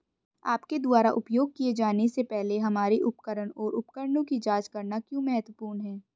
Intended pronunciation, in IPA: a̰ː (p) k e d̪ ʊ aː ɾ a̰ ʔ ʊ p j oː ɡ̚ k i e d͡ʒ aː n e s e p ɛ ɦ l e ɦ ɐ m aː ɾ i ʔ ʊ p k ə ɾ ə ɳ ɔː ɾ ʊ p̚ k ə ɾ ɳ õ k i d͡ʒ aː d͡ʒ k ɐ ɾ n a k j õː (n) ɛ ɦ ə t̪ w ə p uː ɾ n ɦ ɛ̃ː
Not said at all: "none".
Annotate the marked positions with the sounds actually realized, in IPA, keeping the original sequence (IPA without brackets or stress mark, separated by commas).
p, m